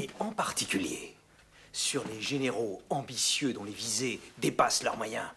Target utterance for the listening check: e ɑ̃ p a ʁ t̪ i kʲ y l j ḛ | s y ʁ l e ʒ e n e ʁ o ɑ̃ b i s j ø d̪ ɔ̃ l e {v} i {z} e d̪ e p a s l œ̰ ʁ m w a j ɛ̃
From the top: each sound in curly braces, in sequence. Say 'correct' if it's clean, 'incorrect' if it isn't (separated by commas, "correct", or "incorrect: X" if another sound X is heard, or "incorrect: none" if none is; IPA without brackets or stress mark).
correct, correct